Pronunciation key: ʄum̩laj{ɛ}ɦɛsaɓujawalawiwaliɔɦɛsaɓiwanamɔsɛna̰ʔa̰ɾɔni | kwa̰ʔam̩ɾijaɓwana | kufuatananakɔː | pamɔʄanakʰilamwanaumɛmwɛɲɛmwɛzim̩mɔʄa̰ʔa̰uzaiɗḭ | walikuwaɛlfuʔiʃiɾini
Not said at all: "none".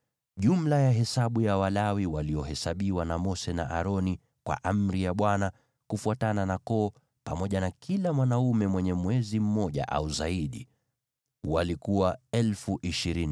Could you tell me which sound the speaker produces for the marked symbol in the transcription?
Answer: a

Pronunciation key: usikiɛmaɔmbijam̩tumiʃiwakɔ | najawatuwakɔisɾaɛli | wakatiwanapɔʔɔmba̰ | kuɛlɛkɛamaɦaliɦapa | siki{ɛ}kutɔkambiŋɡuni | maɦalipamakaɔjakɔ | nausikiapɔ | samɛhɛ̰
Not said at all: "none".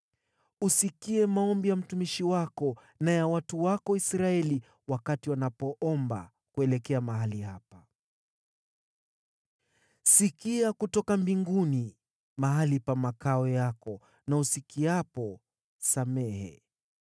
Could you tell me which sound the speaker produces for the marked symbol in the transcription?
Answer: a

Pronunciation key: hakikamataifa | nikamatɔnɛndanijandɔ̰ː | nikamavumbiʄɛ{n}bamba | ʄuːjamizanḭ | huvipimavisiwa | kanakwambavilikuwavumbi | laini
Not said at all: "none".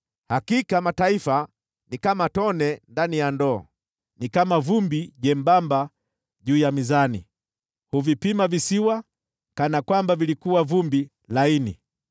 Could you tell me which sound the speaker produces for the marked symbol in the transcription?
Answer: m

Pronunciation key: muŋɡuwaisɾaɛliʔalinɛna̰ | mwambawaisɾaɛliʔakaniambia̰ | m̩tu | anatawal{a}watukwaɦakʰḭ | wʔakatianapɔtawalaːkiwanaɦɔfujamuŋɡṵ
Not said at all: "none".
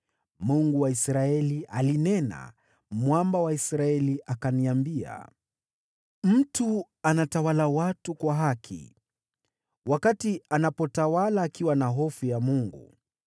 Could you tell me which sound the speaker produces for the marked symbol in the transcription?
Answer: a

